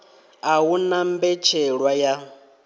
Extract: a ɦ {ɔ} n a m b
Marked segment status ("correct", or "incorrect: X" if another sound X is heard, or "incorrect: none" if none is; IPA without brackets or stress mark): incorrect: u